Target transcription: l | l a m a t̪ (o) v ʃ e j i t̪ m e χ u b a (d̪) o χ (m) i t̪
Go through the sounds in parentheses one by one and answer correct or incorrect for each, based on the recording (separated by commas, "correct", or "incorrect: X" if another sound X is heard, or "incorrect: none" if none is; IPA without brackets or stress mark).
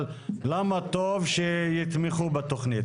correct, incorrect: t̪, incorrect: n